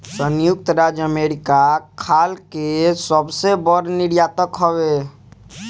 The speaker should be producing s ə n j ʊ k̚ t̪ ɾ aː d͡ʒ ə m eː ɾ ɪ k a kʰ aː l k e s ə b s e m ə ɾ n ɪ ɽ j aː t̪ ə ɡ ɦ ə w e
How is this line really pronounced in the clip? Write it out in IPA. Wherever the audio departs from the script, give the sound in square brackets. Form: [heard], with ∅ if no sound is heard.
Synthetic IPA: s ə n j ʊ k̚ t̪ ɾ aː d͡ʒ ə m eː ɾ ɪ k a kʰ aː l k e s ə b s e [b] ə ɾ n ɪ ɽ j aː t̪ ə [k] ɦ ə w e